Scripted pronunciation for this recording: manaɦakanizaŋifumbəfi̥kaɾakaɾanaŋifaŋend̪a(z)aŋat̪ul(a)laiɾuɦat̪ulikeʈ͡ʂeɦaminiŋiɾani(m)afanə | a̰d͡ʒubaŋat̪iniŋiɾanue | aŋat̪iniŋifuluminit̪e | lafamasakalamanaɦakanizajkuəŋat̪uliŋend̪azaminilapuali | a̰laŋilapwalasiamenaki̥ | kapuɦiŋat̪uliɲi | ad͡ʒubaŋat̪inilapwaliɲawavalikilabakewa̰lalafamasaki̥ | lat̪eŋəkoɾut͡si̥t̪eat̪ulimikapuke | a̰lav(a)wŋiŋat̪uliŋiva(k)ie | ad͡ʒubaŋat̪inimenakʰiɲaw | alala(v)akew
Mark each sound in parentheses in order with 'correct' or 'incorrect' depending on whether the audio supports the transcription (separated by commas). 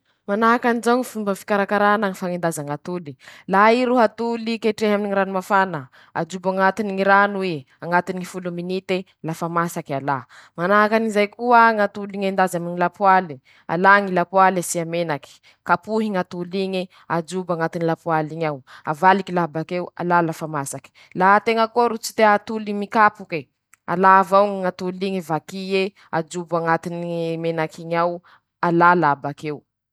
correct, incorrect, correct, correct, correct, incorrect